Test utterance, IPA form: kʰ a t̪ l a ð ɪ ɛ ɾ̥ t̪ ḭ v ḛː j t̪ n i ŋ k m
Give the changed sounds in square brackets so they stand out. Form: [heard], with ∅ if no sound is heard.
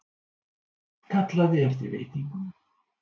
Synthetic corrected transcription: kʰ a t̪ l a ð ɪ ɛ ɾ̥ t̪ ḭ v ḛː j t̪ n i ŋ k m